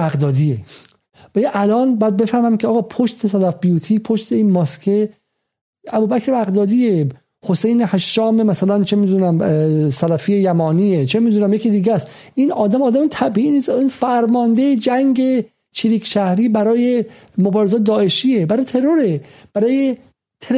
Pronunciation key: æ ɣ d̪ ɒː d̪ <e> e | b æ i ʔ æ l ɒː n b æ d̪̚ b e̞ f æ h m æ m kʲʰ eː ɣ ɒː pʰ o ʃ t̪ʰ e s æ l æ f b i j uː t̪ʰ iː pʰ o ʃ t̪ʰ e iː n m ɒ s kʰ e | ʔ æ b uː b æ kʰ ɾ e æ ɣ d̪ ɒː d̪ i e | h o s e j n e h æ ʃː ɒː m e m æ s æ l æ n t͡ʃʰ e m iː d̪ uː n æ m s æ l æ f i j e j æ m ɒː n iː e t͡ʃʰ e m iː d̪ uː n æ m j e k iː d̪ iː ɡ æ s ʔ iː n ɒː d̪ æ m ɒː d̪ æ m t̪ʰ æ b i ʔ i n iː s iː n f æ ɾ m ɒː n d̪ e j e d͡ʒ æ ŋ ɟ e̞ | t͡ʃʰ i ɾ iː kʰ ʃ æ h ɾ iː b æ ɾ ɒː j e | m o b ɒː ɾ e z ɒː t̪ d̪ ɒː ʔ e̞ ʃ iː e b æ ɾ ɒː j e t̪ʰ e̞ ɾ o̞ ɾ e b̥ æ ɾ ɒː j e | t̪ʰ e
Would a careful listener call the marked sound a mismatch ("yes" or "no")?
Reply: yes